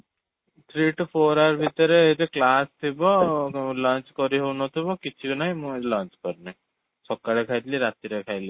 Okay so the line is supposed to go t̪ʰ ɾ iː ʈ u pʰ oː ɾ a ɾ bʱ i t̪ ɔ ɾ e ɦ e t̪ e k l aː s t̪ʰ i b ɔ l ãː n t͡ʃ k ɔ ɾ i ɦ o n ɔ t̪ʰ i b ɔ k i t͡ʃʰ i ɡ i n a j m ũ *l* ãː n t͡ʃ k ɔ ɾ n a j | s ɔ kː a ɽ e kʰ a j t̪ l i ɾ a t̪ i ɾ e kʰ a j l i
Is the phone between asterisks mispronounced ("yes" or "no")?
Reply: no